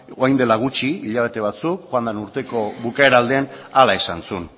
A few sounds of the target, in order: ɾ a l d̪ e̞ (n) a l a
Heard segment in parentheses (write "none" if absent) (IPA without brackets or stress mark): n